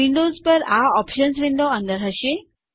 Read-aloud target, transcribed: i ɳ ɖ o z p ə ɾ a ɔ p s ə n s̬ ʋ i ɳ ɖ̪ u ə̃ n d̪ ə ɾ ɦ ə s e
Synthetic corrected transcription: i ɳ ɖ o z p ə ɾ a ɔ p ʃ ə n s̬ ʋ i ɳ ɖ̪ o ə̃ n d̪ ə ɾ ɦ ə ʃ e